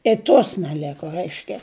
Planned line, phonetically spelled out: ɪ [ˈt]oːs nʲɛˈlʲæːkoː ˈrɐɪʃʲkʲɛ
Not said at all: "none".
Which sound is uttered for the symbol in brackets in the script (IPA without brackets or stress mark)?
t